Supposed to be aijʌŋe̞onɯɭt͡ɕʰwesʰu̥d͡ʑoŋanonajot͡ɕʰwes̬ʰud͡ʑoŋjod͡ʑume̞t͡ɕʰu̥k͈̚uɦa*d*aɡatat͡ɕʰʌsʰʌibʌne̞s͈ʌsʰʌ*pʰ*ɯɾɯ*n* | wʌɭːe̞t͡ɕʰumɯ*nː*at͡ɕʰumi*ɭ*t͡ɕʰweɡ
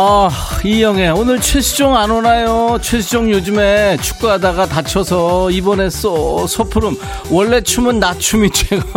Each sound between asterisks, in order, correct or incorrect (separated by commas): correct, correct, incorrect, correct, incorrect